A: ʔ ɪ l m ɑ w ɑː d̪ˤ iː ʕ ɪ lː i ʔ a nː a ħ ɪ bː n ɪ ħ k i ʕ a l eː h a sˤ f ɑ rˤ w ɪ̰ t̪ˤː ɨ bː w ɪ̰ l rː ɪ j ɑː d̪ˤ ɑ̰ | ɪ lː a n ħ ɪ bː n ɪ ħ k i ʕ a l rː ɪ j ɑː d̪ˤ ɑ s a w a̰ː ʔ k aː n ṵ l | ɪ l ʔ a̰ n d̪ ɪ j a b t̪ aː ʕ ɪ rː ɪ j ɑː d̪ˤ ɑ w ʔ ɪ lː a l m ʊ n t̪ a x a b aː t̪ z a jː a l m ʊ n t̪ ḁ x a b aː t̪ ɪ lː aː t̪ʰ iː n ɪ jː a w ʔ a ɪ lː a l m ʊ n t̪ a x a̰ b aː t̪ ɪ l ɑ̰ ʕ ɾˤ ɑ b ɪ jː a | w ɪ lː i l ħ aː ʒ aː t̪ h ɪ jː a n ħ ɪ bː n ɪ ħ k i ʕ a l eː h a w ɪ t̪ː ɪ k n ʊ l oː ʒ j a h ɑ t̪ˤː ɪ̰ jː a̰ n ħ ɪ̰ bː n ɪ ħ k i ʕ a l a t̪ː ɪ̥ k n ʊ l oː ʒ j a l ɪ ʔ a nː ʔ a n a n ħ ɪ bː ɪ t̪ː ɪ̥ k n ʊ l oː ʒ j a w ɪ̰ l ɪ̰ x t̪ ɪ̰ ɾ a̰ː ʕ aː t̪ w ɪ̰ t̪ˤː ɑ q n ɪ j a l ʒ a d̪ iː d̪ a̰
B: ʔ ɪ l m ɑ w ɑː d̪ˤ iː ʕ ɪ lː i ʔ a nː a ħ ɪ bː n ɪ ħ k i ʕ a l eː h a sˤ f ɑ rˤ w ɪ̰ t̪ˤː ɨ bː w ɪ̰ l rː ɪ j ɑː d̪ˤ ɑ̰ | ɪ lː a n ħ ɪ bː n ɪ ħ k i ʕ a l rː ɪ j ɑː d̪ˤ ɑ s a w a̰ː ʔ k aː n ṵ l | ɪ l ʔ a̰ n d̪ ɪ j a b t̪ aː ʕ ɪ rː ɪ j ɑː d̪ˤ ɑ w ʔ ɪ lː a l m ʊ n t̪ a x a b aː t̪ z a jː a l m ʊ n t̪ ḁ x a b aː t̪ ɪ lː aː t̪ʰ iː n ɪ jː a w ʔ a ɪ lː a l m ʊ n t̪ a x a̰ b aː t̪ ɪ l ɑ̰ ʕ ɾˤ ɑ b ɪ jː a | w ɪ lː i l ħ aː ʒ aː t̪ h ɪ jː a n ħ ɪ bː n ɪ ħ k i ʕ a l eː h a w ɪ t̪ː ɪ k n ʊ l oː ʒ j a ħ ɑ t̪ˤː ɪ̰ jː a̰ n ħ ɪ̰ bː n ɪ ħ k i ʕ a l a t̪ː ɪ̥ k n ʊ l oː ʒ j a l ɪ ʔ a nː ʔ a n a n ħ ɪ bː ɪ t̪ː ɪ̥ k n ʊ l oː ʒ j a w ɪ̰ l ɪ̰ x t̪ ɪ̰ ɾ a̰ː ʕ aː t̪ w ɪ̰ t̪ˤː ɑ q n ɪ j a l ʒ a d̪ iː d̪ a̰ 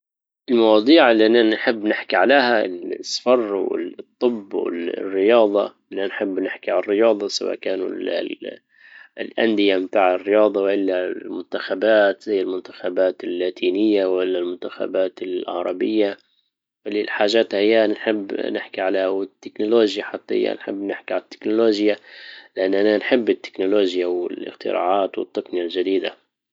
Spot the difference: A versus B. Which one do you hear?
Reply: B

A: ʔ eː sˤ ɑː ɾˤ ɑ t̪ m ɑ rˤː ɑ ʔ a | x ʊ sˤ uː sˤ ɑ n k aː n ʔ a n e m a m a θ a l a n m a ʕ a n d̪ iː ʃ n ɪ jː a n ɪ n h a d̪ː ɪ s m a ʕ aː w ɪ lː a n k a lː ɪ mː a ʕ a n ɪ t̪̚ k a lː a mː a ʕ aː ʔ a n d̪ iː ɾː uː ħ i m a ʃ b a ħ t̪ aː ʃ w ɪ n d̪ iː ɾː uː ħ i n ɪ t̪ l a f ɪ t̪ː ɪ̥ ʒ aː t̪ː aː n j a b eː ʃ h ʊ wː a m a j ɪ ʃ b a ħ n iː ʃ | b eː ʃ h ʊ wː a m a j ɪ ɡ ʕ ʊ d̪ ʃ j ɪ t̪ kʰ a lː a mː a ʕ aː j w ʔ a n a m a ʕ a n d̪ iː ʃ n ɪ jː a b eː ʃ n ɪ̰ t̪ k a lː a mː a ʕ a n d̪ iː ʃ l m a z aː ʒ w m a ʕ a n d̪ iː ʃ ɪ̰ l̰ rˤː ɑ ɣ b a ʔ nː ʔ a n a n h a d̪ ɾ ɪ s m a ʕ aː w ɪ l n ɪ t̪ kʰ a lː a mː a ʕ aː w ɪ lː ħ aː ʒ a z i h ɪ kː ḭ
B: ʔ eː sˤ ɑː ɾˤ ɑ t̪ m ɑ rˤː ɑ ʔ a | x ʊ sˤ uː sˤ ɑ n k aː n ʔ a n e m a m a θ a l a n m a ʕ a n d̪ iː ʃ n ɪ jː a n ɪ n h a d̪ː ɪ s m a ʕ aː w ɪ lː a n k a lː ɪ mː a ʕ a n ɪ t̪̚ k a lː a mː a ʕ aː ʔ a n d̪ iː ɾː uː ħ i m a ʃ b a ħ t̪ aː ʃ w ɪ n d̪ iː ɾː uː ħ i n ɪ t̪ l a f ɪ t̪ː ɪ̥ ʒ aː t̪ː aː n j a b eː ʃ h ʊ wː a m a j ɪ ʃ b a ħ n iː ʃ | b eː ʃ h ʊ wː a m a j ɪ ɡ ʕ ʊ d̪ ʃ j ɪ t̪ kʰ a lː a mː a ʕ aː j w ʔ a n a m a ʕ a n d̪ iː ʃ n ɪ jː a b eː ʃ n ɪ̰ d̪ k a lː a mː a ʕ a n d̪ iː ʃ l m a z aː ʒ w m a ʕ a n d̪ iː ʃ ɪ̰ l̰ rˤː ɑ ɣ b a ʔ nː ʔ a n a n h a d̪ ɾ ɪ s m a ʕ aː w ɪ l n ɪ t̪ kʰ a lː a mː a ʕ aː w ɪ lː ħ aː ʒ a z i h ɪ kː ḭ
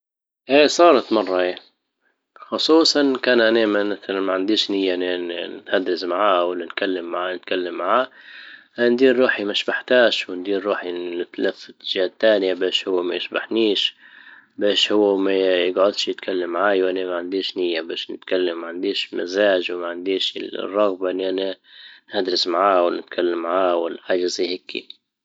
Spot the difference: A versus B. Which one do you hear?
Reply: A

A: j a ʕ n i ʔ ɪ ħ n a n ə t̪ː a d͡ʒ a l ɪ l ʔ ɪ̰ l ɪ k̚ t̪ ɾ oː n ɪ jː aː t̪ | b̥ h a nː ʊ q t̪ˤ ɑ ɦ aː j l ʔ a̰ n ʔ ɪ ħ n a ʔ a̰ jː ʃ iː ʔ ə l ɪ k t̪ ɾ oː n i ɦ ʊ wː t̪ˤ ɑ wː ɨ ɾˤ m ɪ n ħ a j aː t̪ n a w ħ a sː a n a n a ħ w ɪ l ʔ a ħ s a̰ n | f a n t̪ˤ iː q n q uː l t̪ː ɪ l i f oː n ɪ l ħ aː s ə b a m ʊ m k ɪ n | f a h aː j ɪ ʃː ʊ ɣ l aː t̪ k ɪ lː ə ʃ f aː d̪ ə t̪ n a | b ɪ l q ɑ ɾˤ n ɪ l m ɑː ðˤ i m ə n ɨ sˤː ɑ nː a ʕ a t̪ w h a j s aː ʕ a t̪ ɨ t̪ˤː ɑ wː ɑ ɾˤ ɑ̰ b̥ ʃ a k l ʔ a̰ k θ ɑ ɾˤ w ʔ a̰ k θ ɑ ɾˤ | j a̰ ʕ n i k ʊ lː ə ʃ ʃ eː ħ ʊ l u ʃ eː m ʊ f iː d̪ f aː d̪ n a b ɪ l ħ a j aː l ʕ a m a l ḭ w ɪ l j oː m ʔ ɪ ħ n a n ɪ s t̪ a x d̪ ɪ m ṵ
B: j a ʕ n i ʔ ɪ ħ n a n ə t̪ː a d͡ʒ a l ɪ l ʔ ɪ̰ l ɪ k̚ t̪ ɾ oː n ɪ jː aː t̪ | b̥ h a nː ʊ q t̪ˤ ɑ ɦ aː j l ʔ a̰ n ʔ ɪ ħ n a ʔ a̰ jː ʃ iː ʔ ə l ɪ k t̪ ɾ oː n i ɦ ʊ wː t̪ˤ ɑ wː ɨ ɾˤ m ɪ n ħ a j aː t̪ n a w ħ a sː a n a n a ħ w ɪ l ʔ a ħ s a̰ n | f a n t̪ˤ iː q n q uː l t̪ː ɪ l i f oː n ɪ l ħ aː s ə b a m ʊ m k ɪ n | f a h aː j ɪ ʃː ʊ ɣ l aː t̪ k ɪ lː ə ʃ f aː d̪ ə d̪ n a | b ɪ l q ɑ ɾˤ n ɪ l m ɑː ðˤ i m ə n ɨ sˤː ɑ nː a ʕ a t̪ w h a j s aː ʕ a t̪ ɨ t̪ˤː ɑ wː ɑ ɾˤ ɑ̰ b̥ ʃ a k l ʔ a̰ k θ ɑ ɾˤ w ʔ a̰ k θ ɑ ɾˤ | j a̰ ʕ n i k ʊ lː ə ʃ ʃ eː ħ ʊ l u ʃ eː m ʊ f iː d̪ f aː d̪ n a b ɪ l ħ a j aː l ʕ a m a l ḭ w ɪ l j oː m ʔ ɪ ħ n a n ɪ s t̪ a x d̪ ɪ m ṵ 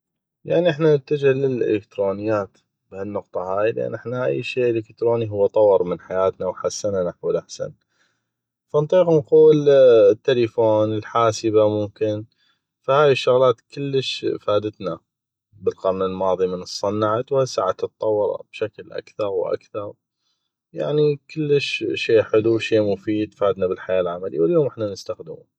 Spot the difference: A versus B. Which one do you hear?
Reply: A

